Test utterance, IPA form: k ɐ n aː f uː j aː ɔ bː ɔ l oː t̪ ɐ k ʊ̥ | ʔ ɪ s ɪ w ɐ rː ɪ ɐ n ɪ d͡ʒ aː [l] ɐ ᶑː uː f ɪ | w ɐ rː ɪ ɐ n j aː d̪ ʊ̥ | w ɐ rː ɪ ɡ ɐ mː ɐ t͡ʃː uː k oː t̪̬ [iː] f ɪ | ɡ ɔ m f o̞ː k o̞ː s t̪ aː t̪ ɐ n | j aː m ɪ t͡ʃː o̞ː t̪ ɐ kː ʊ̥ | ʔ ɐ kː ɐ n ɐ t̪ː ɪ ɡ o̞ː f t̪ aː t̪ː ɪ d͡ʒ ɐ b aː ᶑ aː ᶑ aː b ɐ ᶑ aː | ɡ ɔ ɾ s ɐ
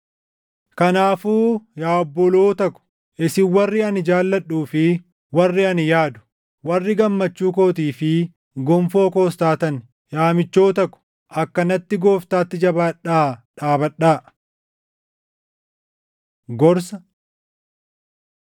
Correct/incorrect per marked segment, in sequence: incorrect: lː, correct

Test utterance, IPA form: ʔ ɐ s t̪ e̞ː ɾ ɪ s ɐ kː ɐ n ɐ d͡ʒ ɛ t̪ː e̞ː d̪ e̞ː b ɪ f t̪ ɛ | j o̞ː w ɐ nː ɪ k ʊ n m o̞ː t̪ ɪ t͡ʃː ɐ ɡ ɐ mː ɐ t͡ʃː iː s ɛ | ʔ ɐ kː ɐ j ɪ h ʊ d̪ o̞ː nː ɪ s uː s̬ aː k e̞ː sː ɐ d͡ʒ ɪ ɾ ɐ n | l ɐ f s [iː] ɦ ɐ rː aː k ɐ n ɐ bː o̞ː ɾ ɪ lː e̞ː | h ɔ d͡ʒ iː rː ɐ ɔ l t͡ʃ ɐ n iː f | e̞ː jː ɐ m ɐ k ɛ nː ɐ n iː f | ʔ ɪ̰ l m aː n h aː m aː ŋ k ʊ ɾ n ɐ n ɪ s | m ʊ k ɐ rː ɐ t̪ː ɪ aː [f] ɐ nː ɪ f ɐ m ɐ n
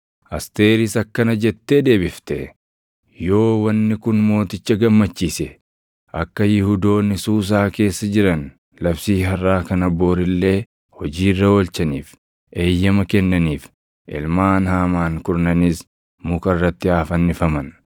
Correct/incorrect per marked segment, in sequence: correct, correct

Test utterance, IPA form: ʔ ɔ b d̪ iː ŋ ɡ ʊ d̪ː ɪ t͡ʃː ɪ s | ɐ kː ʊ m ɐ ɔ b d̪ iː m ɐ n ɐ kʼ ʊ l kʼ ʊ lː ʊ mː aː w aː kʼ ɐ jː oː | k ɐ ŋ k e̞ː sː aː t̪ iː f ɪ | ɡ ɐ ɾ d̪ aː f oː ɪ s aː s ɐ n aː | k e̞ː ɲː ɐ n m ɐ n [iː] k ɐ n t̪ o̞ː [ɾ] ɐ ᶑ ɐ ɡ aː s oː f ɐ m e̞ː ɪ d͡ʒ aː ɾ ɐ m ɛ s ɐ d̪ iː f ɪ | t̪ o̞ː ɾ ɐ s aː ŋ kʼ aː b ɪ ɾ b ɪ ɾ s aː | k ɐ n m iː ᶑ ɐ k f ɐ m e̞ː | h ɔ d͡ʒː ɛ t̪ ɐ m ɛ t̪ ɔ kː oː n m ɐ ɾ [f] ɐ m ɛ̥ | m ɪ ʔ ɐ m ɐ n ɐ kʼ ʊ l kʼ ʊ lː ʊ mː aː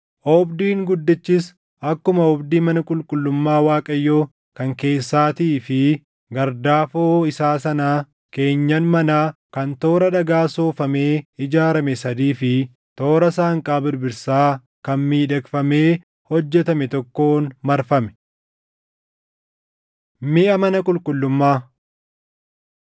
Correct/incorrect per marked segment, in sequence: incorrect: aː, correct, correct

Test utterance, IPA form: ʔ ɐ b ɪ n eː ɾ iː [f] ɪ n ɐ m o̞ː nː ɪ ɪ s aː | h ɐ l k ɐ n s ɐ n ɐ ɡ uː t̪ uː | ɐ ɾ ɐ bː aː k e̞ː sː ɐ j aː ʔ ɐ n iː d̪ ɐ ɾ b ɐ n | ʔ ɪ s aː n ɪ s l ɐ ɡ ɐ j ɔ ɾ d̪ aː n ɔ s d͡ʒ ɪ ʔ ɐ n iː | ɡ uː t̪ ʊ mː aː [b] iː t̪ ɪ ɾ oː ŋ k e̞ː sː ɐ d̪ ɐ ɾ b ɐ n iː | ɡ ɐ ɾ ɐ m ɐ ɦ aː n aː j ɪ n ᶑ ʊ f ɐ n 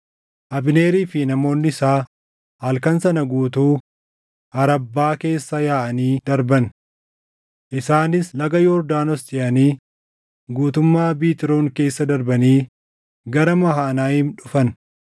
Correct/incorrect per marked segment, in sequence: correct, correct

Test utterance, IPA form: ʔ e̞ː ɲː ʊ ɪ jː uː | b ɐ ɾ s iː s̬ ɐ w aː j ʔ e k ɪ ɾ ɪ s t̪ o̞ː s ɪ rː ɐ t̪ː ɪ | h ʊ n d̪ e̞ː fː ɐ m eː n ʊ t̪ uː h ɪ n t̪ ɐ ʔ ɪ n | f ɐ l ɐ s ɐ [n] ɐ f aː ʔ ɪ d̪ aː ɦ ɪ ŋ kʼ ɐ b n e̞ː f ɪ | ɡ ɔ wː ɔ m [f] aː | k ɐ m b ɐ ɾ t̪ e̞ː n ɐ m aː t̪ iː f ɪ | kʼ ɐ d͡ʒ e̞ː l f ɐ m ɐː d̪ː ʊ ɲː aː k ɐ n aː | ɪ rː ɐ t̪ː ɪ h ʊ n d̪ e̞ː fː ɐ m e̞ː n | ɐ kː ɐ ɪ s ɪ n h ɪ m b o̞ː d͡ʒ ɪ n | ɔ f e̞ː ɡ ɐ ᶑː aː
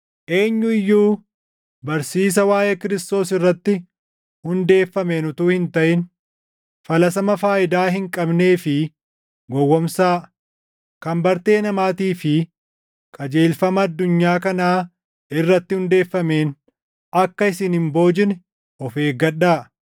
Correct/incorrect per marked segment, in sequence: incorrect: m, incorrect: s

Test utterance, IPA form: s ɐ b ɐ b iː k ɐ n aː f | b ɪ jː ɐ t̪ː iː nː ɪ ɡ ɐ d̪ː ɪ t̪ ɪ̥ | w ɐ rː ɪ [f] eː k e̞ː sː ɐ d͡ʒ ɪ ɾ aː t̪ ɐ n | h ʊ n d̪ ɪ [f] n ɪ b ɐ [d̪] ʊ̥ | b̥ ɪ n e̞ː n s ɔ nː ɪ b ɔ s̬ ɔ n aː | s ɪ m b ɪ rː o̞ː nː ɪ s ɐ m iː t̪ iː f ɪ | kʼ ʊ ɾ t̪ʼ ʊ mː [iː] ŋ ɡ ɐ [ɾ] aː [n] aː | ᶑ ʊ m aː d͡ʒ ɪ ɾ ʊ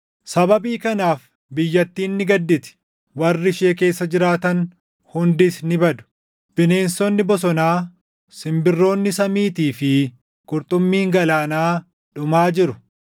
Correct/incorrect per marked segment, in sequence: incorrect: ʃ, incorrect: s, correct, correct, incorrect: l, correct

